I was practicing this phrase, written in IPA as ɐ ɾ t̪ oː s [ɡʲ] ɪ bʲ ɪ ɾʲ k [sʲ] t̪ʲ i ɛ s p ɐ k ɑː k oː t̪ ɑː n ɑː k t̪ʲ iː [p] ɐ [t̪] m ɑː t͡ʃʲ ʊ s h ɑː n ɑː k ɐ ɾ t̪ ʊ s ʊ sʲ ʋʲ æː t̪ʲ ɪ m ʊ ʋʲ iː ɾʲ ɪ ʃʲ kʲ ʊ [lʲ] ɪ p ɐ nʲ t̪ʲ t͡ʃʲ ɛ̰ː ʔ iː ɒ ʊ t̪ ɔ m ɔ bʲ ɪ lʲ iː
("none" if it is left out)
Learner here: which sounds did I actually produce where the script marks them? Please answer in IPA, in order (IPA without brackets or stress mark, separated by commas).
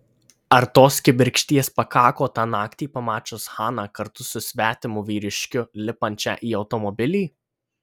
kʲ, ʃʲ, p, none, lʲ